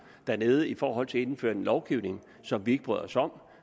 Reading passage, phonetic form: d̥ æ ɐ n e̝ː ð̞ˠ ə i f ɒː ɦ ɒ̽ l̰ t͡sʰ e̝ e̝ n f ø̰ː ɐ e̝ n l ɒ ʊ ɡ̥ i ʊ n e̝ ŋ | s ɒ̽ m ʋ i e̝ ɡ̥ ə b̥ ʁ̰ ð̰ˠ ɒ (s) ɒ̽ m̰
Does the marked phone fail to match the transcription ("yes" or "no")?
no